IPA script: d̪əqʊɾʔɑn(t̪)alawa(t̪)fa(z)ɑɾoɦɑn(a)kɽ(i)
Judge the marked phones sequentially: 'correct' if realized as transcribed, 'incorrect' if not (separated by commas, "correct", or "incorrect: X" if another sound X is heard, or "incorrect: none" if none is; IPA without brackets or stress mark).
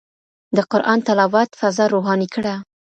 correct, correct, correct, incorrect: i, incorrect: a